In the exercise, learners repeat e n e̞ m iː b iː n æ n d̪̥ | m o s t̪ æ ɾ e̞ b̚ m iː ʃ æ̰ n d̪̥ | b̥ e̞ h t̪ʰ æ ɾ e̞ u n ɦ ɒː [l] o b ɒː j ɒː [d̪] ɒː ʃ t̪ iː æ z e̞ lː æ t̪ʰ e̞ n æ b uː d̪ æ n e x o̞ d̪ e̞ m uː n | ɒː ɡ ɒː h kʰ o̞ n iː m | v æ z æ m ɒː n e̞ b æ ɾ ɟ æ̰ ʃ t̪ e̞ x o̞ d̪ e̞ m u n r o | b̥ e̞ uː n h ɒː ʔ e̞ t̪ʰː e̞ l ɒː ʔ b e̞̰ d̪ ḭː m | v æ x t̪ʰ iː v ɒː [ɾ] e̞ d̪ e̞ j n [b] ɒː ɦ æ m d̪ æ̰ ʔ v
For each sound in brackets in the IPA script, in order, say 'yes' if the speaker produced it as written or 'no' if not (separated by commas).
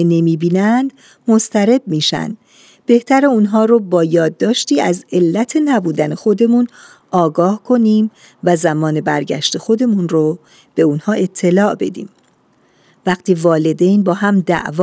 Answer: no, no, no, yes